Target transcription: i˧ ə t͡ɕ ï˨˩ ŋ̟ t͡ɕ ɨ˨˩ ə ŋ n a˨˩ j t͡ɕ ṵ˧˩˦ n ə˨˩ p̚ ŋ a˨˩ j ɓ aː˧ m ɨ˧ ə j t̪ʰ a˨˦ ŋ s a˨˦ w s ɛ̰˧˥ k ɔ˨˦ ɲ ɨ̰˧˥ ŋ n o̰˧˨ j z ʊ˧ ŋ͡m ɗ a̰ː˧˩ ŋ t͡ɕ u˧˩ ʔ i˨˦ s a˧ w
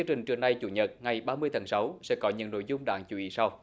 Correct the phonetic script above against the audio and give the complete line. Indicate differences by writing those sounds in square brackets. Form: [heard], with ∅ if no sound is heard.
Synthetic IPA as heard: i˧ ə t͡ɕ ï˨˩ ŋ̟ t͡ɕ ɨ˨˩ ə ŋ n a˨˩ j t͡ɕ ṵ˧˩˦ [ɲ] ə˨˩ [t̚] ŋ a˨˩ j ɓ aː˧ m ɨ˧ ə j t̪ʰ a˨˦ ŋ s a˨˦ w s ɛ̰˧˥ k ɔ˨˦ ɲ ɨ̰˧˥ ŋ n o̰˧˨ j z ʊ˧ ŋ͡m ɗ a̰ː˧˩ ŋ t͡ɕ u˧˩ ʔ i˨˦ s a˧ w